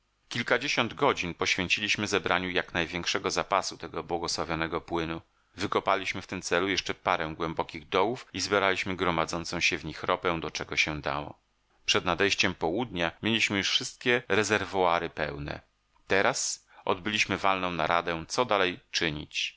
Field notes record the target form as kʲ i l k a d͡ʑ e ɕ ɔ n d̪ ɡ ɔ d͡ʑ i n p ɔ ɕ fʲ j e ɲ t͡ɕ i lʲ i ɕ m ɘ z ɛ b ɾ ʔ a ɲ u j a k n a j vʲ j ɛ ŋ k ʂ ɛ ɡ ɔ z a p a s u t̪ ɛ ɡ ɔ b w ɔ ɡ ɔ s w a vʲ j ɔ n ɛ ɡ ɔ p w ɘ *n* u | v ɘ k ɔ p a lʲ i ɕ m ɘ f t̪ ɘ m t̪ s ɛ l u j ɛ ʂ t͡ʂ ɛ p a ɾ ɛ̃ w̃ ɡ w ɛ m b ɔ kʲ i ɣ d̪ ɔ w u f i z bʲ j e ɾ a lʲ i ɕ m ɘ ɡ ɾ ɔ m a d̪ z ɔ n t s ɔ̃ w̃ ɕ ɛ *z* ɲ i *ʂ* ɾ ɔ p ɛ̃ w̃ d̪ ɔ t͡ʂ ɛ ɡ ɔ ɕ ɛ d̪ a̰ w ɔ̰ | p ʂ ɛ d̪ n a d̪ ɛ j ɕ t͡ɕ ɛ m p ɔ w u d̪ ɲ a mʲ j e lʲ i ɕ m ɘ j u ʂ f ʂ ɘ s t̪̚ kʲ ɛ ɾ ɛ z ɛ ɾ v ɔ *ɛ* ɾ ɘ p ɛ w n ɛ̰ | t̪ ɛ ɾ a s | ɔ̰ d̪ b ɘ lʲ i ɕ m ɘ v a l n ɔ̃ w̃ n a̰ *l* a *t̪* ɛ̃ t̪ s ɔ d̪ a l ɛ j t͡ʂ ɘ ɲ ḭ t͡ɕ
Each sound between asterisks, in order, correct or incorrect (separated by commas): correct, incorrect, incorrect, incorrect, incorrect, incorrect